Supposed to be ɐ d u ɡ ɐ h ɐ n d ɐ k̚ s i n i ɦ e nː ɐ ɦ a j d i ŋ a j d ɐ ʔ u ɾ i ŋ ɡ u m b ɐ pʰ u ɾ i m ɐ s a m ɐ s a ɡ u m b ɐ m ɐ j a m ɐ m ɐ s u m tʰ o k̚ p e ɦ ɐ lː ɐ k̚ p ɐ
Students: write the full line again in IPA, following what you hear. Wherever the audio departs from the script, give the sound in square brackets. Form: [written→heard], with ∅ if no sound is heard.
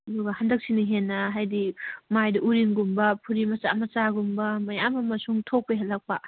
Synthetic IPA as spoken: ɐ d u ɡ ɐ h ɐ n d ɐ k̚ s i n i ɦ e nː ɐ ɦ a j d i [ŋ→m] a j d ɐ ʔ u ɾ i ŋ ɡ u m b ɐ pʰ u ɾ i m ɐ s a m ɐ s a ɡ u m b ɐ m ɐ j a m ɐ m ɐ s u [m→ŋ] tʰ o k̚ p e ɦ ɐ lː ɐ k̚ p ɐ